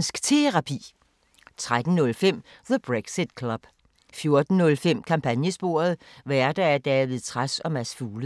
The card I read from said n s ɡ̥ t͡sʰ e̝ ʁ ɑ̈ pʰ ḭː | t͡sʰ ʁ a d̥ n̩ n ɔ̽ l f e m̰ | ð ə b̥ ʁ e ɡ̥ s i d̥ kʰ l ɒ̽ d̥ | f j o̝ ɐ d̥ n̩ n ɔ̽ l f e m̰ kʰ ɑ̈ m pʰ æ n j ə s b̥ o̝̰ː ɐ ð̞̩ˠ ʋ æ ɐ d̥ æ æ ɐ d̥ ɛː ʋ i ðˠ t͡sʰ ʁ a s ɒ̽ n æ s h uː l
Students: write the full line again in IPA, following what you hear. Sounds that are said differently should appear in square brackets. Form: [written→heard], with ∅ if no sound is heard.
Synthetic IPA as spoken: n s ɡ̥ t͡sʰ e̝ ʁ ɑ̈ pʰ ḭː | t͡sʰ ʁ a d̥ n̩ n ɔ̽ l f e m̰ | ð ə b̥ ʁ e ɡ̥ s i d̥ kʰ l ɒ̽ [d̥→b̥] | f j o̝ ɐ d̥ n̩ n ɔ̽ l f e m̰ kʰ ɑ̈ m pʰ æ n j ə s b̥ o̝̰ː ɐ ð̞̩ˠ ʋ æ ɐ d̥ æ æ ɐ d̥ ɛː ʋ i ðˠ t͡sʰ ʁ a s ɒ̽ [n→m] æ s [h→f] uː l